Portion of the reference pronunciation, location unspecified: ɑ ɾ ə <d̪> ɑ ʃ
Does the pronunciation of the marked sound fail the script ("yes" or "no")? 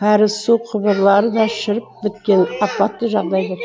no